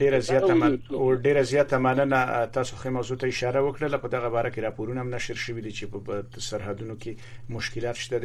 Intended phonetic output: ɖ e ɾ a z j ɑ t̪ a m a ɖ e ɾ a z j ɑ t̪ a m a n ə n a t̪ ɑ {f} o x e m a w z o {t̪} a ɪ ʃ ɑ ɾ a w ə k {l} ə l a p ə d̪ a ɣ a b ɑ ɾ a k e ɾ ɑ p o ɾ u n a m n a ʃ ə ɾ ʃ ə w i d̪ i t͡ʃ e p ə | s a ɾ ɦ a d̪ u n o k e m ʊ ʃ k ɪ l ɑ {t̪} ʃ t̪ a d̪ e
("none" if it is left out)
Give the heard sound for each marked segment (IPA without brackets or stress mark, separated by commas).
s, t̪, ɽ, t̪